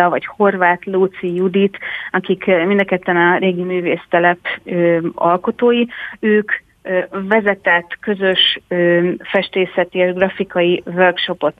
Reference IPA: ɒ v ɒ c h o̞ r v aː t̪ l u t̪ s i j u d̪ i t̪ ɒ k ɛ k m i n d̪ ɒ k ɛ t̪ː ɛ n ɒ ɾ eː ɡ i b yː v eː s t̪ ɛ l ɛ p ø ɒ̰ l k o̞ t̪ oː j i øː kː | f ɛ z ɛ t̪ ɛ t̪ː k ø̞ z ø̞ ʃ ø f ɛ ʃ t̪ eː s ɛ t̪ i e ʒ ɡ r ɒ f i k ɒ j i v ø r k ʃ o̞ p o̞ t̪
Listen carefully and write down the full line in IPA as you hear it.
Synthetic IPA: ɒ v ɒ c h o̞ r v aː t̪ l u t̪ s i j u d̪ i t̪ ɒ k i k m i n d̪ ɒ k ɛ t̪ː ɛ n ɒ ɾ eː ɡ i m yː v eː s t̪ ɛ l ɛ p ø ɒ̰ l k o̞ t̪ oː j i øː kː | v ɛ z ɛ t̪ ɛ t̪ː k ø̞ z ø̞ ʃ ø f ɛ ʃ t̪ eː s ɛ t̪ i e ʒ ɡ r ɒ f i k ɒ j i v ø r k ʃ o̞ p o̞ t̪